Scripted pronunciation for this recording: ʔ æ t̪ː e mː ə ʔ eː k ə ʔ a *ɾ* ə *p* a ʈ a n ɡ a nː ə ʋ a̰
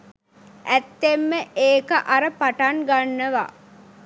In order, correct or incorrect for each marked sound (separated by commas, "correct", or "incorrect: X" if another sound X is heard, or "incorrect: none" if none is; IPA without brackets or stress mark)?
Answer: correct, correct